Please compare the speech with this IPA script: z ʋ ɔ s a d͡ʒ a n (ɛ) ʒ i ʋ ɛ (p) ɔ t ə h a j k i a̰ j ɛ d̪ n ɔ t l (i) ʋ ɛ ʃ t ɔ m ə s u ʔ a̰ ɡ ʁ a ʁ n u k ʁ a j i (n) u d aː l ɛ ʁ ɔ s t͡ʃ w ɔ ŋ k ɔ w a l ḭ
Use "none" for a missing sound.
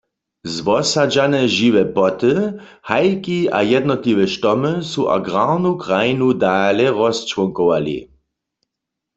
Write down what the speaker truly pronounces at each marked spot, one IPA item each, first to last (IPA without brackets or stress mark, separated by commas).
ɛ, p, i, n